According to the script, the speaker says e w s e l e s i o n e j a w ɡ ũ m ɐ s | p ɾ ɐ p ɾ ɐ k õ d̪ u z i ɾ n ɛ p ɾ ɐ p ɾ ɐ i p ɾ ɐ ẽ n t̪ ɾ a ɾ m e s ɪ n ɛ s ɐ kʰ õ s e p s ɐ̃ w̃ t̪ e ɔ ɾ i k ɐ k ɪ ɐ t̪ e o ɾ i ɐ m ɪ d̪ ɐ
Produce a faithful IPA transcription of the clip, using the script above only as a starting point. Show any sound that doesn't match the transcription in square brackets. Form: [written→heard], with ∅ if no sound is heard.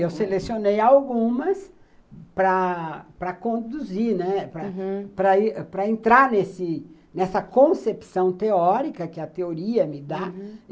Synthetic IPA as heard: e w s e l e s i o n e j a w ɡ ũ m ɐ s | p ɾ ɐ p ɾ ɐ k õ d̪ u z i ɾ n ɛ p ɾ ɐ p ɾ ɐ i p ɾ ɐ ẽ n t̪ ɾ a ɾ [m→n] e s ɪ n ɛ s ɐ [kʰ→k] õ s e p s ɐ̃ w̃ t̪ e ɔ ɾ i k ɐ k ɪ ɐ t̪ e o ɾ i ɐ m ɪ d̪ [ɐ→a]